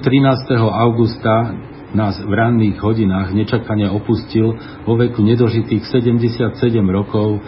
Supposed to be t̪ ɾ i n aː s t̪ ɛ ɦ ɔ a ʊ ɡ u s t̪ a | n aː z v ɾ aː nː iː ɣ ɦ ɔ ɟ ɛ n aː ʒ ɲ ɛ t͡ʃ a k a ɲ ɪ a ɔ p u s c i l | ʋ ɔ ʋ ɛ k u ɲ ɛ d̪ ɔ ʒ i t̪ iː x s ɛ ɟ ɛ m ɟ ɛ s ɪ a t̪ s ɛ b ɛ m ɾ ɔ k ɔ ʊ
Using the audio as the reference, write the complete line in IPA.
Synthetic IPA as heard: t̪ ɾ i n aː s t̪ ɛ ɦ ɔ a ʊ ɡ u s t̪ a | n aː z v ɾ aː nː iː ɣ ɦ ɔ ɟ i n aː ɣ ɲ ɛ t͡ʃ a k a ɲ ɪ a ɔ p u s c i l | ʋ ɔ ʋ ɛ k u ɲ ɛ d̪ ɔ ʒ i t̪ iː x s ɛ ɟ ɛ m ɟ ɛ s ɪ a t̪ s ɛ ɟ ɛ m ɾ ɔ k ɔ ʊ